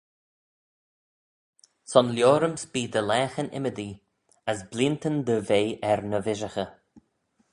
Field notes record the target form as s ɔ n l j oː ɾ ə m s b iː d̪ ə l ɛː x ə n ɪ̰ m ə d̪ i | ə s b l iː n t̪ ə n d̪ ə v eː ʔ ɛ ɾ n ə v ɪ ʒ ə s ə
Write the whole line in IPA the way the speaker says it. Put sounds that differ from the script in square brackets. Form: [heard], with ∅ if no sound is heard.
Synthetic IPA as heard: s ɔ n l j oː ɾ ə m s b iː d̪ ə l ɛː x ə n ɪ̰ m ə d̪ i | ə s b l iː n t̪ ə n d̪ ə v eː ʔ ɛ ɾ n ə v ɪ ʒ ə [x] ə